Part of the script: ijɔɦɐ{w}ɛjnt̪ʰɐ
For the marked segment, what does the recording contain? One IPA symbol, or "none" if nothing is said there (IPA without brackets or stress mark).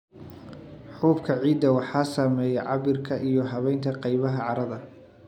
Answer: β